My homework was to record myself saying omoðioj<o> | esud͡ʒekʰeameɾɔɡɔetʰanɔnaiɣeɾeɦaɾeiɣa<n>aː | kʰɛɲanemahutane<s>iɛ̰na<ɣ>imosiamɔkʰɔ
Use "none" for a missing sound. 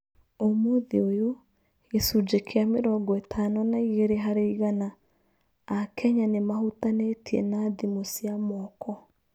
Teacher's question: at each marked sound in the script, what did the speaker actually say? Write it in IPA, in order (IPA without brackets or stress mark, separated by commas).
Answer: o, n, t, ð